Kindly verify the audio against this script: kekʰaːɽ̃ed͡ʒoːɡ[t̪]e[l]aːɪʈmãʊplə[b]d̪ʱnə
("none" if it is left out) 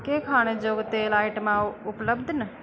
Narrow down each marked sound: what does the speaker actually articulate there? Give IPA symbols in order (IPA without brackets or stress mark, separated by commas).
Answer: t̪, l, b